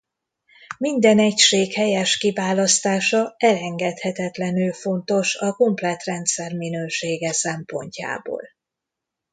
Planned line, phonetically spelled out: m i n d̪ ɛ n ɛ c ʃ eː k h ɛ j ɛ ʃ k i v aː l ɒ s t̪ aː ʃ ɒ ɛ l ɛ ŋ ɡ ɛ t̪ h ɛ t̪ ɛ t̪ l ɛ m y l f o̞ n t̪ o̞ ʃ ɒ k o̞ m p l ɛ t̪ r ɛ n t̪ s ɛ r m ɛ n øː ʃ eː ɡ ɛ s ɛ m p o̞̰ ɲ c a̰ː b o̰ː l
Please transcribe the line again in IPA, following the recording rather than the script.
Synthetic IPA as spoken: m i n d̪ ɛ n ɛ c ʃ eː k h ɛ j ɛ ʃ k i v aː l ɒ s t̪ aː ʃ ɒ ɛ l ɛ ŋ ɡ ɛ t̪ h ɛ t̪ ɛ t̪ l ɛ n y l f o̞ n t̪ o̞ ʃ ɒ k o̞ m p l ɛ t̪ r ɛ n t̪ s ɛ r m i n øː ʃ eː ɡ ɛ s ɛ m p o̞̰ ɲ c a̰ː b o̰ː l